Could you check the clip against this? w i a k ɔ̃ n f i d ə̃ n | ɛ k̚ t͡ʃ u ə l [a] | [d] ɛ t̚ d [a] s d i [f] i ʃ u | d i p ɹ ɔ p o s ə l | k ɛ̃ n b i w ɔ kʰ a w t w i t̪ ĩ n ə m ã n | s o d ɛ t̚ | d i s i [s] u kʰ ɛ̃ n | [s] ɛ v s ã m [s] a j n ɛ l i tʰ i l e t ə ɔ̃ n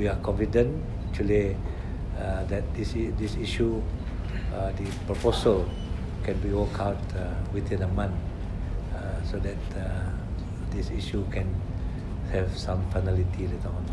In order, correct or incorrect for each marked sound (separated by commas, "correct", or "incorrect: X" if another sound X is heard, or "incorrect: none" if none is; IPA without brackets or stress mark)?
incorrect: i, correct, incorrect: i, incorrect: s, incorrect: ʃ, incorrect: h, incorrect: f